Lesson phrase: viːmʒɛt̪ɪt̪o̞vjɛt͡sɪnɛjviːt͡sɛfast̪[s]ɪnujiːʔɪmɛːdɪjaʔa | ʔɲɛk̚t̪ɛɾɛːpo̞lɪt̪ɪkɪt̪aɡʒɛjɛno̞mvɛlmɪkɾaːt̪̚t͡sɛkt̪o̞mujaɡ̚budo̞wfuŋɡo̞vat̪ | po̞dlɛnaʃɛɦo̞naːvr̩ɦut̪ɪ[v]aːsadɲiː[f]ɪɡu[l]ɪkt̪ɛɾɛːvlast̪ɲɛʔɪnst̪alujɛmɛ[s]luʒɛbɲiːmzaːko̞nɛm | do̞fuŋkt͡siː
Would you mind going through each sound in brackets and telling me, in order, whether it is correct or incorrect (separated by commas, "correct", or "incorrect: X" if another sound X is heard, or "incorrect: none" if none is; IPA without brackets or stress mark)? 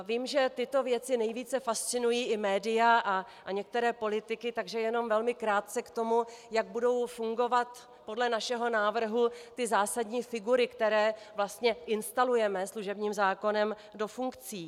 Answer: incorrect: t͡s, incorrect: z, correct, incorrect: ɾ, correct